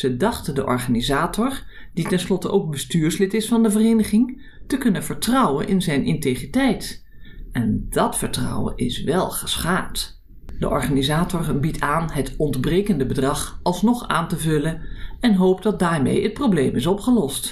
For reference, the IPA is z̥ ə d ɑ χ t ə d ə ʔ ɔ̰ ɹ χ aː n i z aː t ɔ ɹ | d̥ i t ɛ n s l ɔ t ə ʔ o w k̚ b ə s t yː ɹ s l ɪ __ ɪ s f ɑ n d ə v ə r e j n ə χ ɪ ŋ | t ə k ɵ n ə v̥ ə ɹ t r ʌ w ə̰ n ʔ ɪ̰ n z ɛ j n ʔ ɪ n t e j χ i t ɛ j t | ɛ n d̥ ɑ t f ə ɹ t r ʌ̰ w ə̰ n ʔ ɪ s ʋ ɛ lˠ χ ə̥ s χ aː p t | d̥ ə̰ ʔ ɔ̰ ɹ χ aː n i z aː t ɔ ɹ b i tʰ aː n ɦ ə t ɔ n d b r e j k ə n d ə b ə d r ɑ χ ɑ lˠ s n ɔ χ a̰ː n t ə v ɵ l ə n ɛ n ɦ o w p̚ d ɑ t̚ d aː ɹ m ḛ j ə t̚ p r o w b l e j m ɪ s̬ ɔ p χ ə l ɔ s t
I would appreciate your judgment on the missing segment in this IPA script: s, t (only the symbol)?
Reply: t